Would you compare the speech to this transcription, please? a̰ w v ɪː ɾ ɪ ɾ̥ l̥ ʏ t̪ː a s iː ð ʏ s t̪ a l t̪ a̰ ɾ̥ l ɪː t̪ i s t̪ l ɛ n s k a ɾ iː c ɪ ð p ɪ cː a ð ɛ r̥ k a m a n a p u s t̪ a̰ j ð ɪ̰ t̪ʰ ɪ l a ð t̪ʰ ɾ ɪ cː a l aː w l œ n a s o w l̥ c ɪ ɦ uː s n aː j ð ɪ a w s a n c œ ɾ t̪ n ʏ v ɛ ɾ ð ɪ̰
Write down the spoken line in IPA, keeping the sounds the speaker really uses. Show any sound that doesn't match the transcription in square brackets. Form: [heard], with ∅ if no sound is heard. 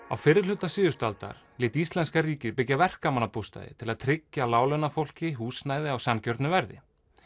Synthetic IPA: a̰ w [f] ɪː ɾ ɪ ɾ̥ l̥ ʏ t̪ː a s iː ð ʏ s t̪ a l t̪ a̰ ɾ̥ l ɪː t̪ i s t̪ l ɛ n s k a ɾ iː c ɪ ð p ɪ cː a [v] ɛ r̥ k a m a n a p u s t̪ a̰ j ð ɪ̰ t̪ʰ ɪ l a ð t̪ʰ ɾ ɪ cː a l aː w l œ n a [f] o w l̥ c ɪ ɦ uː s n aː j ð ɪ a w s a n c œ ɾ t̪ n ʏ v ɛ ɾ ð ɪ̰